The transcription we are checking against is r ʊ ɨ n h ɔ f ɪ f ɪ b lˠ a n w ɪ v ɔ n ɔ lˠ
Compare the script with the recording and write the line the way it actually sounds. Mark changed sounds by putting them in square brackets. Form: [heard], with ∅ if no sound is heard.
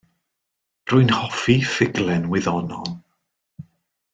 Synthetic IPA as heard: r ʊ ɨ n h ɔ f [i] f ɪ [ɡ] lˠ [ɛ] n w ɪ [ð] ɔ n ɔ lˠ